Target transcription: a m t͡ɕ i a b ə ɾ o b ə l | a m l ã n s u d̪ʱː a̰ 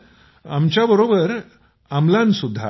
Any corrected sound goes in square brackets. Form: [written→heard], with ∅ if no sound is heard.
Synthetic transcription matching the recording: a m t͡ɕ [i→j] a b ə ɾ o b ə [l→ɾ] | a m l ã n s u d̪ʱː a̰